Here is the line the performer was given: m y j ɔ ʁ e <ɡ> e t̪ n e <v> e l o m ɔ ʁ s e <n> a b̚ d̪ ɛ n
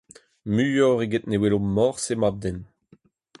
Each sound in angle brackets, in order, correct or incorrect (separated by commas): correct, incorrect, incorrect